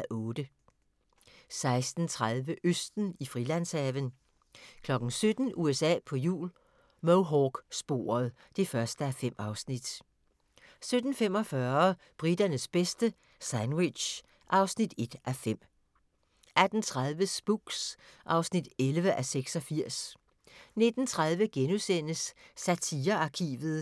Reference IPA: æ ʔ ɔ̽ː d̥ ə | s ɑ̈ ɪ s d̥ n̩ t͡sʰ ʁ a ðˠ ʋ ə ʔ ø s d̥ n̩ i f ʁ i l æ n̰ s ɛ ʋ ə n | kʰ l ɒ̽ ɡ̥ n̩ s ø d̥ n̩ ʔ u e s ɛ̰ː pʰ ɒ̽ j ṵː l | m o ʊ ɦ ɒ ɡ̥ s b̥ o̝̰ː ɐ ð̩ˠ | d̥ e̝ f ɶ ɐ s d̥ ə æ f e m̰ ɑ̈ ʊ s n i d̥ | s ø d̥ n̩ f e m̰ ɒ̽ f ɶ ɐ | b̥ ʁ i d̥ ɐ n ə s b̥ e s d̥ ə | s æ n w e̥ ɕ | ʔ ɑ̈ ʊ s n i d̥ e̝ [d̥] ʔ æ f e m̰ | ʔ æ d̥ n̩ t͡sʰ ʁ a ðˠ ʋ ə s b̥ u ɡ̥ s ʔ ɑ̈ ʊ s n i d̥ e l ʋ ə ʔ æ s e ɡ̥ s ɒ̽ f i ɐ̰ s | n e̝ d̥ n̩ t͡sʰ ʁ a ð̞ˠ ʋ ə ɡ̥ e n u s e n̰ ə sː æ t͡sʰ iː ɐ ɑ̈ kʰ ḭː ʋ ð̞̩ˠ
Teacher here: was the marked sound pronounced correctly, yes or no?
yes